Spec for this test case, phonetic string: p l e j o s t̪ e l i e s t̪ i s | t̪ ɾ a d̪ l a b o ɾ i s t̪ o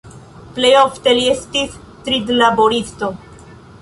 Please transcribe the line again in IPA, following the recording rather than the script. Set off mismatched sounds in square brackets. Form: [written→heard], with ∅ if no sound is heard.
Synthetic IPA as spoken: p l e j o [s→f] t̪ e l i e s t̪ i s | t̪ ɾ [a→i] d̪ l a b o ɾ i s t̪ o

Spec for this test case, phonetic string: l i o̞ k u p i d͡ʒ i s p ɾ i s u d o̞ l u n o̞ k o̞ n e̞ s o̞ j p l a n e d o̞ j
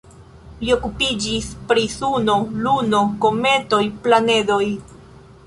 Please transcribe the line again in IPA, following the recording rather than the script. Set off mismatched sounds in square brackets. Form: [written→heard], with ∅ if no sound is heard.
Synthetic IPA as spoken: l i o̞ k u p i d͡ʒ i s p ɾ i s u [d→n] o̞ l u n o̞ k o̞ [n→m] e̞ [s→t] o̞ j p l a n e d o̞ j

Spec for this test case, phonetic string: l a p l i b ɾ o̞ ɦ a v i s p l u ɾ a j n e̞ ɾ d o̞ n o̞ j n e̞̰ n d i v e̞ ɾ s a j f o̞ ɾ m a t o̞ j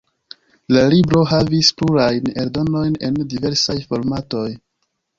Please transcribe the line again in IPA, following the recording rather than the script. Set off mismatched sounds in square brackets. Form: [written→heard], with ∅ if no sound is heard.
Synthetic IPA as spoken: l a [p→∅] l i b ɾ o̞ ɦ a v i s p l u ɾ a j n e̞ ɾ d o̞ n o̞ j n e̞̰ n d i v e̞ ɾ s a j f o̞ ɾ m a t o̞ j

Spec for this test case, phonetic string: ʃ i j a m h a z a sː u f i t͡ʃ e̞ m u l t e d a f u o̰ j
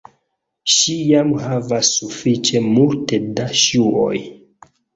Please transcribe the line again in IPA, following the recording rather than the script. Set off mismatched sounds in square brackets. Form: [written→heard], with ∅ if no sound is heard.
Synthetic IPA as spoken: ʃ i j a m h a [z→v] a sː u f i t͡ʃ e̞ m u l t e d a [f→ʃ] u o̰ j

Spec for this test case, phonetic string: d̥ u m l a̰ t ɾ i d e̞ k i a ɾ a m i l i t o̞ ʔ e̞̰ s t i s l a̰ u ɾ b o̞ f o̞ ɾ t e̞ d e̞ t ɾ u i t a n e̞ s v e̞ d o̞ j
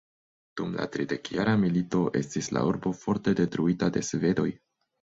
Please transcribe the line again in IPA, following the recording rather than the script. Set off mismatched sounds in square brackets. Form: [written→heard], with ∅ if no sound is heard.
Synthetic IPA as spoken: d̥ u m l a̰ t ɾ i d e̞ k [i→j] a ɾ a m i l i t o̞ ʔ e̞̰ s t i s l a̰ u ɾ b o̞ f o̞ ɾ t e̞ d e̞ t ɾ u i t a [n→d] e̞ s v e̞ d o̞ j

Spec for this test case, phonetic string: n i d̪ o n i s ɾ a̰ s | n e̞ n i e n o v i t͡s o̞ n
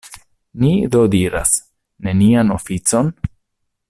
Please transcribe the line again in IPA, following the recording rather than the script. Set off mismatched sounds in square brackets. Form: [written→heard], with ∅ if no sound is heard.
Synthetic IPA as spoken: n i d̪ o [n→d] i [s→∅] ɾ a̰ s | n e̞ n i [e→a] n o [v→f] i t͡s o̞ n

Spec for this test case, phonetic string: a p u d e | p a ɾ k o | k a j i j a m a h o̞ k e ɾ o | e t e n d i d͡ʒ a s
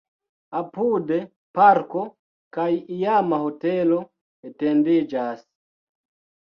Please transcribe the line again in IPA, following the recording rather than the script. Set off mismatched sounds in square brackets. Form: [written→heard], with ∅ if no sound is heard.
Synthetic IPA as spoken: a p u d e | p a ɾ k o | k a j i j a m a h o̞ [k→t] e [ɾ→l] o | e t e n d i d͡ʒ a s

